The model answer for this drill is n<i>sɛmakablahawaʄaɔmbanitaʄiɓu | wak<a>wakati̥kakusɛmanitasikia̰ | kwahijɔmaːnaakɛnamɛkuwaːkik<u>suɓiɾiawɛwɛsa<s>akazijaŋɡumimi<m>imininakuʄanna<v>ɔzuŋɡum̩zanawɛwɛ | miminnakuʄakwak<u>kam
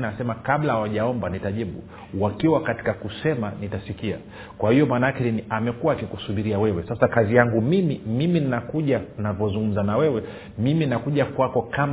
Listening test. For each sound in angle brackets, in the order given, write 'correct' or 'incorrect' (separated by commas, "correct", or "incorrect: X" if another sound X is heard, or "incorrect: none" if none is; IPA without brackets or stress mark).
incorrect: a, incorrect: i, correct, correct, correct, correct, incorrect: ɔ